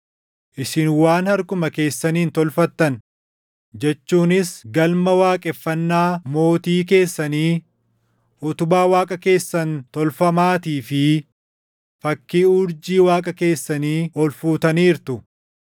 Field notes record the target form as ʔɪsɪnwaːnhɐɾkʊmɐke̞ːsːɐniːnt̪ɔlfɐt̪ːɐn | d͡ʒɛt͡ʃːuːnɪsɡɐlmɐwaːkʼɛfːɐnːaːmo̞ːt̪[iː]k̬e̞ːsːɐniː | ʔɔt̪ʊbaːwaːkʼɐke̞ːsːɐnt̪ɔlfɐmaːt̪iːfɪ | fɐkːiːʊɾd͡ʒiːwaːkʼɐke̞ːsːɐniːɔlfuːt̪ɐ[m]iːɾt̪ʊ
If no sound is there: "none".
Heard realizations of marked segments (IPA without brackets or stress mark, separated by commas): iː, n